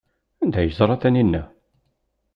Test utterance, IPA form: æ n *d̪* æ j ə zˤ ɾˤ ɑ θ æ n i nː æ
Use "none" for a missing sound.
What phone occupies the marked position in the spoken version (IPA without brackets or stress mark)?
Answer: d̪